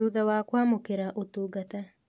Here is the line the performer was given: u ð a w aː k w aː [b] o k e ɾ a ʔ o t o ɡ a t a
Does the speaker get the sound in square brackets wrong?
yes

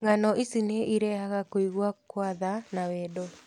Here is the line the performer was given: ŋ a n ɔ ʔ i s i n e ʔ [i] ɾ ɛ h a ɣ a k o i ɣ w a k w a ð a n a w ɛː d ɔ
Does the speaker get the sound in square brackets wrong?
no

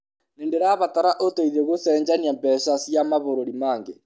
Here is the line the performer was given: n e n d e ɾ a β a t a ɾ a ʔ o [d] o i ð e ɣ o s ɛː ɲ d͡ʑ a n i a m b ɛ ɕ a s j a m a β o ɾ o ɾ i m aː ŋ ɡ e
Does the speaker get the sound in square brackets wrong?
yes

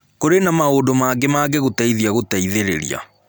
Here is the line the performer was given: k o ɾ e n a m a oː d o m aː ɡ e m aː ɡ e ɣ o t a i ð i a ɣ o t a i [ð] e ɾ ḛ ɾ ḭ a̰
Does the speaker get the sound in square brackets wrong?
no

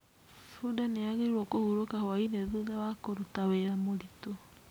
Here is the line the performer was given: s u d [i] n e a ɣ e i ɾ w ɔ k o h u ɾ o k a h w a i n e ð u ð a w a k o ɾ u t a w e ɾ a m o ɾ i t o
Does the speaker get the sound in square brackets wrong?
yes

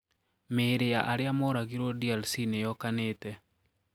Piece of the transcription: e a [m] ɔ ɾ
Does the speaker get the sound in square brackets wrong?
no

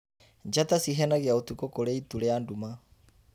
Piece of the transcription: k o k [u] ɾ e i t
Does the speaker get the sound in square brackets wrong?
yes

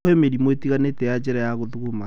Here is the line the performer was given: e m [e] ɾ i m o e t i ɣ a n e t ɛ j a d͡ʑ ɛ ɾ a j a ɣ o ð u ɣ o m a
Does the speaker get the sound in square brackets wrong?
no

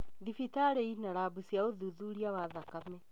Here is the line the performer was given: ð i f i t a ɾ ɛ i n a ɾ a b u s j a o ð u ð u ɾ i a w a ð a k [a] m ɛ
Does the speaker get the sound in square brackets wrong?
no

